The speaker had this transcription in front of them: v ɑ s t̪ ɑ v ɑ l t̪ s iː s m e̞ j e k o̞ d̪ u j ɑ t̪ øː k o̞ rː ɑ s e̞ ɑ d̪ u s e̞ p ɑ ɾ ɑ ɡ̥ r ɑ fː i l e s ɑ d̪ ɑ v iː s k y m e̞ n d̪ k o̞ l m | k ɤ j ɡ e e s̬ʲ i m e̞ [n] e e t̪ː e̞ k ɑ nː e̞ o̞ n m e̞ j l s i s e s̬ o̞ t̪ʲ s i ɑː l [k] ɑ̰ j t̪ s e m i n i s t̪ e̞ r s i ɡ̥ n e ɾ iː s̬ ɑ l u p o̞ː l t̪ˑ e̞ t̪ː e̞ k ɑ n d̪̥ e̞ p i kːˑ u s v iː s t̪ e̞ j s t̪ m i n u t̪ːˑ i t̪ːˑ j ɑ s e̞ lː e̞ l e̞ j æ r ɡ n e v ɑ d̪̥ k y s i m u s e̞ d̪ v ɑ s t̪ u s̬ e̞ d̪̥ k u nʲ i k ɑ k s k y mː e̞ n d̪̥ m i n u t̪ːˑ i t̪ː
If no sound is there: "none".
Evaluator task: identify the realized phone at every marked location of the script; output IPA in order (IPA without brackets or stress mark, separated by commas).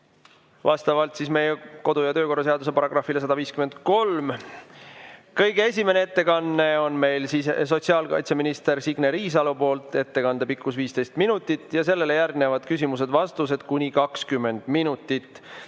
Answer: n, k